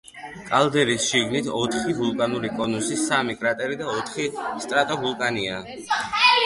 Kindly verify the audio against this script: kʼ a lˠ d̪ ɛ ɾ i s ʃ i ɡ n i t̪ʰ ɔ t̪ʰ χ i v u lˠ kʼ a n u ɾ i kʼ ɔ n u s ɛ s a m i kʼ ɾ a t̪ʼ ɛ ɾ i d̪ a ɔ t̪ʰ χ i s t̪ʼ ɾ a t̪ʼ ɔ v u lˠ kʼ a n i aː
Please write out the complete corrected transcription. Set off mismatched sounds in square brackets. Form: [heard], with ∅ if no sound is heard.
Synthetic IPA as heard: kʼ a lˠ d̪ ɛ ɾ i s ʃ i ɡ n i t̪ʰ ɔ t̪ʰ χ i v u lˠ kʼ a n u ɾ i kʼ ɔ n u s [i] s a m i kʼ ɾ a t̪ʼ ɛ ɾ i d̪ a ɔ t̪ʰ χ i s t̪ʼ ɾ a t̪ʼ ɔ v u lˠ kʼ a n i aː